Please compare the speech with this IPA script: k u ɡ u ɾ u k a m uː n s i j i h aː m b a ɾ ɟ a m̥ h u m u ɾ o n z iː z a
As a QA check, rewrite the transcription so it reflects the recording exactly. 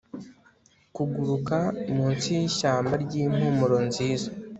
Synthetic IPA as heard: k u ɡ u ɾ u k a m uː n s i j i ʃ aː m b a ɾ ɟ i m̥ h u m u ɾ o n z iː z a